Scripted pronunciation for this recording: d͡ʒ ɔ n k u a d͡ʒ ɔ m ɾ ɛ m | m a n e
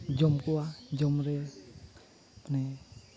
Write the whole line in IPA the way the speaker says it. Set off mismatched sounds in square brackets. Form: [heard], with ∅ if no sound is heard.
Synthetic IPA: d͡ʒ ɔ [m] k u a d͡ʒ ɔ m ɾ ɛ [∅] | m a n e